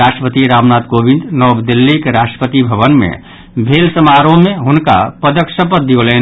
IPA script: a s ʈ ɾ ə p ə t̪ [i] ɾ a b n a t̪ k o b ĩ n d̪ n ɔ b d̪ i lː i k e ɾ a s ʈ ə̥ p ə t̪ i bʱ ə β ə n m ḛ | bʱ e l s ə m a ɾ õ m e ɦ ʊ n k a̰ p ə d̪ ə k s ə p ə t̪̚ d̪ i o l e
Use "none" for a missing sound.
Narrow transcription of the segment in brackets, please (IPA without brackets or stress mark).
i